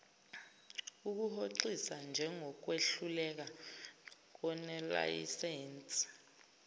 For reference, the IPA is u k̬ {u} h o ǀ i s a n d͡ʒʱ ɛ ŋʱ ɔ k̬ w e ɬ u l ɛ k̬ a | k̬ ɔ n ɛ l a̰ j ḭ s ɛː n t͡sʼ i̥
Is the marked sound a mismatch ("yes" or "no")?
no